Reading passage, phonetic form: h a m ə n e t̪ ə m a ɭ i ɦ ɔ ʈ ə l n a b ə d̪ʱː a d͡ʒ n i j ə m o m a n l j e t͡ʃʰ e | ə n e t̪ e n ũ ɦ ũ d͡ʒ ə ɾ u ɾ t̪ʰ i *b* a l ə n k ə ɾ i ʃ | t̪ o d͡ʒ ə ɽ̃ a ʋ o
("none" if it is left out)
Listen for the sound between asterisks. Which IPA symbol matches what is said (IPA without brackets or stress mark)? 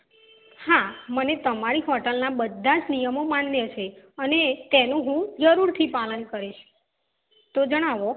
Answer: p